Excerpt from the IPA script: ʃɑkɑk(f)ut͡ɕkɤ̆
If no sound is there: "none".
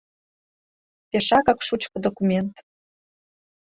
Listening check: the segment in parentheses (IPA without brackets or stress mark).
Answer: ʃ